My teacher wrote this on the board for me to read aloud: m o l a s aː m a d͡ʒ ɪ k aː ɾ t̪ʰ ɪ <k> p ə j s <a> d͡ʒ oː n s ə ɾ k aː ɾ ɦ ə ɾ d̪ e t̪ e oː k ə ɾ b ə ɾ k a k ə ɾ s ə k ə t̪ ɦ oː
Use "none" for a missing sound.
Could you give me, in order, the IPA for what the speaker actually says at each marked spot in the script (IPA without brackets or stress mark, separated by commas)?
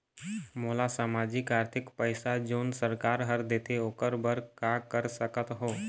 k, a